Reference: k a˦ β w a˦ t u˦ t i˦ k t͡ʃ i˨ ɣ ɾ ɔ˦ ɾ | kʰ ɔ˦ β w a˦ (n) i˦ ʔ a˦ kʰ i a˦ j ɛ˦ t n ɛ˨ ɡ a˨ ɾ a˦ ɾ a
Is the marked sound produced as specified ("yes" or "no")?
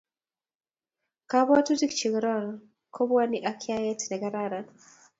yes